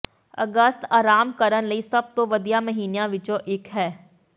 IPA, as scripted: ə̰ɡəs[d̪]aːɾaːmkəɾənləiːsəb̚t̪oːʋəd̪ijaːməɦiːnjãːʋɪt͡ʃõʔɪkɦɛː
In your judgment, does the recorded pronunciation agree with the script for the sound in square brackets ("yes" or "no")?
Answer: no